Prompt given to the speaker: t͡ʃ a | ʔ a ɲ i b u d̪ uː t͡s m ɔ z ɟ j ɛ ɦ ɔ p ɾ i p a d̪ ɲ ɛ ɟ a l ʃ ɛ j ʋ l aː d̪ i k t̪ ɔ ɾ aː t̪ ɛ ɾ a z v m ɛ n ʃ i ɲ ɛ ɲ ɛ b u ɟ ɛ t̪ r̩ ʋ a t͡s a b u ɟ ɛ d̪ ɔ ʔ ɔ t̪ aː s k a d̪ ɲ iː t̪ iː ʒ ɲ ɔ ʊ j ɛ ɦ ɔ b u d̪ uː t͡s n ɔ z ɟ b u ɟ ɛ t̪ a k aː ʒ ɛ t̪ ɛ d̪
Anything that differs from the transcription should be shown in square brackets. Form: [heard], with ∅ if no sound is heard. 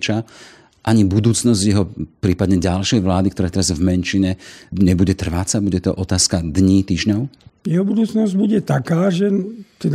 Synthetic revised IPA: t͡ʃ a | ʔ a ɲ i b u d̪ uː t͡s [n] ɔ z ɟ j ɛ ɦ ɔ p ɾ [iː] p a d̪ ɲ ɛ ɟ a l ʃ ɛ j ʋ l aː d̪ i k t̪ ɔ ɾ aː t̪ ɛ ɾ a z v m ɛ n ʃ i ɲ ɛ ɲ ɛ b u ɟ ɛ t̪ r̩ ʋ a t͡s a b u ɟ ɛ [t̪] ɔ ʔ ɔ t̪ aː s k a d̪ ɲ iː t̪ iː ʒ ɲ ɔ ʊ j ɛ ɦ ɔ b u d̪ uː t͡s n ɔ z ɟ b u ɟ ɛ t̪ a k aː ʒ ɛ t̪ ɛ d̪